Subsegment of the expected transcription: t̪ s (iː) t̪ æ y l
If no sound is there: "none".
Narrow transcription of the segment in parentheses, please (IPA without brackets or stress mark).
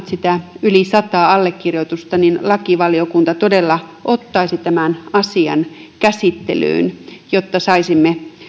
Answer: i